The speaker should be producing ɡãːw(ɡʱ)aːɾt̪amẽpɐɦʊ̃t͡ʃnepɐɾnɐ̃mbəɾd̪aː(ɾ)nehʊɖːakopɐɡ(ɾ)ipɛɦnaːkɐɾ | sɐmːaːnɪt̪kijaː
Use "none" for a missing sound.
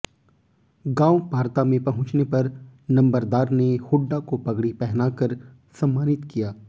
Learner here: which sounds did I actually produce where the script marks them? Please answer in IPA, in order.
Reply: bʱ, ɾ, ɽ

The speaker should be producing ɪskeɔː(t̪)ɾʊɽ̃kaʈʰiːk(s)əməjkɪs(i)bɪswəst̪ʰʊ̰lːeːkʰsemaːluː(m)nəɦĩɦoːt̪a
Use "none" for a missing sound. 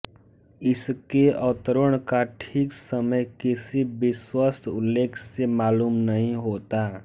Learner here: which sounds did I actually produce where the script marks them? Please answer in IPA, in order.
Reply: t̪, s, i, m

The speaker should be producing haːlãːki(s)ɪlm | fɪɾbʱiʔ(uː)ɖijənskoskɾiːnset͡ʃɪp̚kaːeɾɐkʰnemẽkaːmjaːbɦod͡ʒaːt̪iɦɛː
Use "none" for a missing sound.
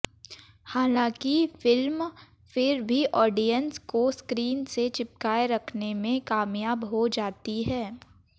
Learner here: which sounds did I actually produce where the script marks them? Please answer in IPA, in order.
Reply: f, ɔː

